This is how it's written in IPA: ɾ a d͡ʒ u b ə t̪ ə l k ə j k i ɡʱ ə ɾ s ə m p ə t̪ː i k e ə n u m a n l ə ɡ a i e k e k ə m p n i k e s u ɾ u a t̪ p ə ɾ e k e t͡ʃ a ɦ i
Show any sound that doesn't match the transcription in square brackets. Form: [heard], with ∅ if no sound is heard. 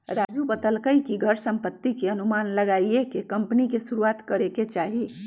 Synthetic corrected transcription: ɾ a d͡ʒ u b ə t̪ ə l k ə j k i ɡʱ ə ɾ s ə m p ə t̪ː i k e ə n u m a n l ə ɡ a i e k e k ə m p n i k e s u ɾ u a t̪ [k] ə ɾ e k e t͡ʃ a ɦ i